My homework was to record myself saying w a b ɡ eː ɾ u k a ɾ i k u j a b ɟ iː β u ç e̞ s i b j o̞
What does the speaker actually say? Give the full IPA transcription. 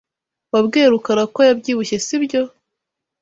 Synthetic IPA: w a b ɡ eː ɾ u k a ɾ a k o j a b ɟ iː β u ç e̞ s i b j o̞